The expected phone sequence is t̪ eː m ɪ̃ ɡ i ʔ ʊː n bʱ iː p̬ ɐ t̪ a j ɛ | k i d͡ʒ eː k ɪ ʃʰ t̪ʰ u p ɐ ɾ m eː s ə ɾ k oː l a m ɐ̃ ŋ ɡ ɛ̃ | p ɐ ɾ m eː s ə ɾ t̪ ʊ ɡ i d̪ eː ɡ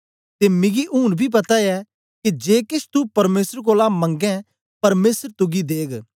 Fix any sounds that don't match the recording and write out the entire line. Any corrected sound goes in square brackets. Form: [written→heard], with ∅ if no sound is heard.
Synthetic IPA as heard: t̪ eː m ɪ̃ ɡ i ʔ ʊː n bʱ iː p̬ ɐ t̪ a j ɛ | k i d͡ʒ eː k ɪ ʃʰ [t̪ʰ→t̪] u p ɐ ɾ m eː s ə ɾ k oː l a m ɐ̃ ŋ ɡ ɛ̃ | p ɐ ɾ m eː s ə ɾ t̪ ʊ ɡ i d̪ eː ɡ